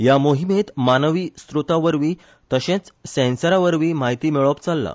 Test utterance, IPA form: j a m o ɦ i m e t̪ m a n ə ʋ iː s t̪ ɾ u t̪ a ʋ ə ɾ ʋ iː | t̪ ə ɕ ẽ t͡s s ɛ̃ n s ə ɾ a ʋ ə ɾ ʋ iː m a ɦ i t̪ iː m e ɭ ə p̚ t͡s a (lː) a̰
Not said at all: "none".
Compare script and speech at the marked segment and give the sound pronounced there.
lː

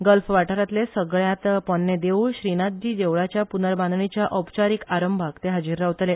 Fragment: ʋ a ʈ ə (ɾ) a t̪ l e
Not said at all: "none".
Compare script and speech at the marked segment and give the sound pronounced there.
ɾ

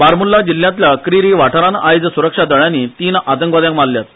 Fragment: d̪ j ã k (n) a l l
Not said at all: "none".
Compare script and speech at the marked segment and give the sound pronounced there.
m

